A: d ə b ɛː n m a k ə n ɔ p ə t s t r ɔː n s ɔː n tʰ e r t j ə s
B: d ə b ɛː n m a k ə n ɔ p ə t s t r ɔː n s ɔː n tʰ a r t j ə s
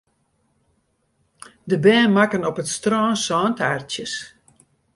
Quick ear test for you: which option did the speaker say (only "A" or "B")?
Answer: B